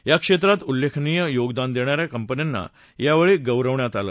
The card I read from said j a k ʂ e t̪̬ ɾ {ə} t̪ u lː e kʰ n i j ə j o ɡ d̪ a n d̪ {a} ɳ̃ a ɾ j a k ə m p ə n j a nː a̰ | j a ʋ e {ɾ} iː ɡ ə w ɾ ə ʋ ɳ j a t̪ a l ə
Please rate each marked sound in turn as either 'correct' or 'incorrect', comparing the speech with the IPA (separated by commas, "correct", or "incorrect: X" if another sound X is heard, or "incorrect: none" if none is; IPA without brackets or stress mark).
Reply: incorrect: a, incorrect: e, incorrect: ɭ